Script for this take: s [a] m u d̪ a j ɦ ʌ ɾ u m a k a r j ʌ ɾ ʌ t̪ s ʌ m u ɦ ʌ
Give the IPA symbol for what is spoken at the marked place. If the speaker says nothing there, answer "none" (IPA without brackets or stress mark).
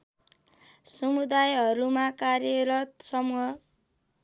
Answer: ʌ